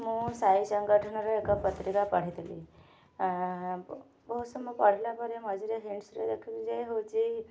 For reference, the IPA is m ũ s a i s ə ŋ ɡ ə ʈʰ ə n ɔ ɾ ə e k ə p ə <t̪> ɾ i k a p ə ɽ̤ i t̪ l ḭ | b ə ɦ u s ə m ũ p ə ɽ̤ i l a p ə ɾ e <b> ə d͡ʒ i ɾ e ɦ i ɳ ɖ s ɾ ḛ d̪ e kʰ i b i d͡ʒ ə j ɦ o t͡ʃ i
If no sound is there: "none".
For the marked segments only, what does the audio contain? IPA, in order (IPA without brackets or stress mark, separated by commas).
t̪, m